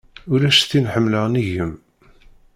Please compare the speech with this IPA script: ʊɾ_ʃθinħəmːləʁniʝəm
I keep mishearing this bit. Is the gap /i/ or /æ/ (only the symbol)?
æ